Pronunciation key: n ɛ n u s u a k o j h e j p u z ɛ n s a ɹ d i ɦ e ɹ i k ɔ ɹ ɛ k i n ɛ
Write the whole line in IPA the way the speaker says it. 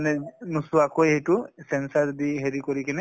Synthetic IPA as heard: n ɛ n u s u a k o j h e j t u s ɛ n s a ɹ d i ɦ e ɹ i k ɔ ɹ i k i n ɛ